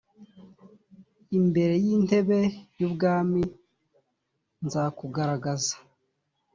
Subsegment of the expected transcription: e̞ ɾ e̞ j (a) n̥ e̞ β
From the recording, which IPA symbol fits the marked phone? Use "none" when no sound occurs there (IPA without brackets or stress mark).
i